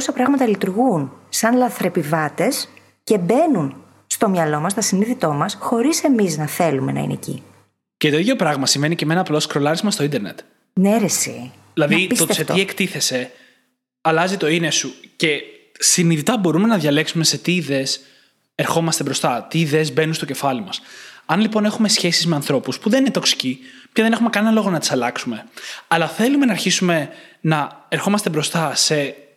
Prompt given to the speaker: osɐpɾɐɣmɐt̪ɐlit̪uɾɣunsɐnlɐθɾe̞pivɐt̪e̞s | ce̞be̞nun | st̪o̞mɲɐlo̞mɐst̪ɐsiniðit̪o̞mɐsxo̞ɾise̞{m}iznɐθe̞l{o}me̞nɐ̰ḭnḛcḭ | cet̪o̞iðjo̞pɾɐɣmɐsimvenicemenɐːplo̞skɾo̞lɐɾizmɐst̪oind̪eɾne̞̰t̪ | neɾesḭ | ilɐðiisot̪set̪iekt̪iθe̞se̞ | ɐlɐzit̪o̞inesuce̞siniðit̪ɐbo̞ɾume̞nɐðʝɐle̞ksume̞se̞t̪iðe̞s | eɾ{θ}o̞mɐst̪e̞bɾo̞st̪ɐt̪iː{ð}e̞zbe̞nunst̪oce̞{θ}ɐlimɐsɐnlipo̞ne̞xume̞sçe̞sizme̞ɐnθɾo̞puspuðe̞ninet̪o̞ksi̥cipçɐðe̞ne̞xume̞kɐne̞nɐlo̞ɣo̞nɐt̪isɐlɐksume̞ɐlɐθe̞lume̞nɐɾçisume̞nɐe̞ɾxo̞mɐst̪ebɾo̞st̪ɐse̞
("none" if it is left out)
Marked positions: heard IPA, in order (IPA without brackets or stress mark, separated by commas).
m, u, x, ð, f